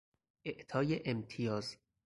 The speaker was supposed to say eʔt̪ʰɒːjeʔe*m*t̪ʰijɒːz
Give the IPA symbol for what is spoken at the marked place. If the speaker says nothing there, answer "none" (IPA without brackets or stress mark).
m